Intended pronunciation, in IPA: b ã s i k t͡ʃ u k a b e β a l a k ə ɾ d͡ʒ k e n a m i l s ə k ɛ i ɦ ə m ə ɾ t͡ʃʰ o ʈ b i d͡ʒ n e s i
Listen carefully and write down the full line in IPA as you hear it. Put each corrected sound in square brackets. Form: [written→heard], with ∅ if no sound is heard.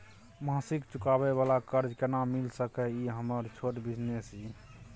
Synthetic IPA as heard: [b→m] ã s i k t͡ʃ u k a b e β a l a k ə ɾ d͡ʒ k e n a m i l s ə k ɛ i ɦ ə m ə ɾ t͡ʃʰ o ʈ b i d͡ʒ n e s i